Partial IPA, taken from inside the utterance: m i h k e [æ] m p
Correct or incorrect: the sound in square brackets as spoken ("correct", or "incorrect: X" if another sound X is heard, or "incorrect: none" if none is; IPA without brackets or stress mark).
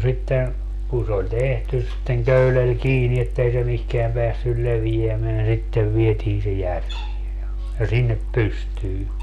correct